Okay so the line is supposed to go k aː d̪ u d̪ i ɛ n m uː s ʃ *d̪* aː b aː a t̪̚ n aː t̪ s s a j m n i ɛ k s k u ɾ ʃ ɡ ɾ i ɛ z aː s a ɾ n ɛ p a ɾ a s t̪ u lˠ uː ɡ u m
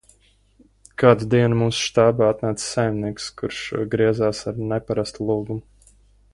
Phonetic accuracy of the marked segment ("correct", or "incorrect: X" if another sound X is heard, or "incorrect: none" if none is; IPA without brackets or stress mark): incorrect: t̪